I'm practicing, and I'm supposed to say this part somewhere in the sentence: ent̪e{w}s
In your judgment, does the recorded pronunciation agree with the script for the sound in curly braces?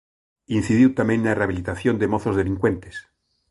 no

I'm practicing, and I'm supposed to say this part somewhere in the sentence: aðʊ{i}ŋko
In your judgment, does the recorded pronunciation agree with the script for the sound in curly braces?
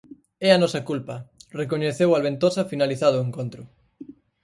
no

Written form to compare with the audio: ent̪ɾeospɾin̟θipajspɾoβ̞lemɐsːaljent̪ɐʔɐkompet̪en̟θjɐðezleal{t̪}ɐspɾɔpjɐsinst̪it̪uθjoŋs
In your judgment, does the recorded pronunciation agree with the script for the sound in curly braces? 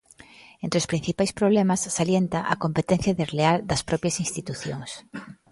no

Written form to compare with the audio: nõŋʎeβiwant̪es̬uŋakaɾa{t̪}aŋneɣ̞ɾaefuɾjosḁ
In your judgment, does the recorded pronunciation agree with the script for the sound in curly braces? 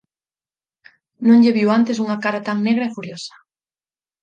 yes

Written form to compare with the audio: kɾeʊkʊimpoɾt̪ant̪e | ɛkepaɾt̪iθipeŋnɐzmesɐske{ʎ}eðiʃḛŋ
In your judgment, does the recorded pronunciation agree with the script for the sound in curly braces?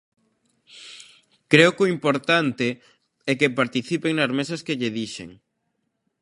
yes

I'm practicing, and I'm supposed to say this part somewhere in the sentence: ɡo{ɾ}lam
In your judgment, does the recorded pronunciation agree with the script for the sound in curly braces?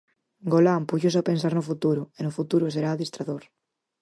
no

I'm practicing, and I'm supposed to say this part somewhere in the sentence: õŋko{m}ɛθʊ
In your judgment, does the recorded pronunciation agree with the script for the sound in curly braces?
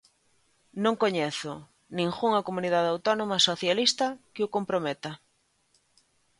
no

